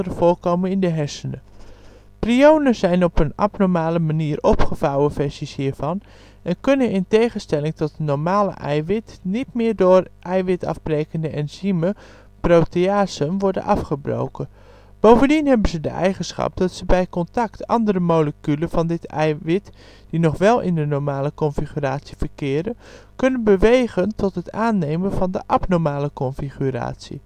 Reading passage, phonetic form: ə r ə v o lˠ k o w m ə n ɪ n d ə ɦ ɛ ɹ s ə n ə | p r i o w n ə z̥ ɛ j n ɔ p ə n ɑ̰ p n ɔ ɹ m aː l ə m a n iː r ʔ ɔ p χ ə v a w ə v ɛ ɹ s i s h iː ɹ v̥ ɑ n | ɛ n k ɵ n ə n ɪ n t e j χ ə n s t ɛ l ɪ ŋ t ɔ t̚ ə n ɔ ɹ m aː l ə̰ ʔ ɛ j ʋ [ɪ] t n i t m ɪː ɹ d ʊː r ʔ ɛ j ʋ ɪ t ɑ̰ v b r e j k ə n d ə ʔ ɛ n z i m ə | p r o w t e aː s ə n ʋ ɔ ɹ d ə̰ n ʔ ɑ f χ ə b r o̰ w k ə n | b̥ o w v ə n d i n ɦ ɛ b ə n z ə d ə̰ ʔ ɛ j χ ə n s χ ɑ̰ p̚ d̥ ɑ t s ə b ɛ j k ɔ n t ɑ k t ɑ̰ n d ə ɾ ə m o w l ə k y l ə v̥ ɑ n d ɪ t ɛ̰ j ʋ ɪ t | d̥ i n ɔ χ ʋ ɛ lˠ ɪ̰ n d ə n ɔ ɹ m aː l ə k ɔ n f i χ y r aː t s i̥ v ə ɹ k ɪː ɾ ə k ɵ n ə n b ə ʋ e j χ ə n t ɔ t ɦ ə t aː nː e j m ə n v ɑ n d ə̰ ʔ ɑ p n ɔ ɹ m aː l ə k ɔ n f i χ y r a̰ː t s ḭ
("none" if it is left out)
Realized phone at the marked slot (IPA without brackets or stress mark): ɪ